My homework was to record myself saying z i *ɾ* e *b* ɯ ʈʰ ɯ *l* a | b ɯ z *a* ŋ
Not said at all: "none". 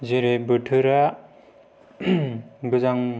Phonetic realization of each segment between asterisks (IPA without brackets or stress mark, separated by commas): ɾ, b, ɾ, a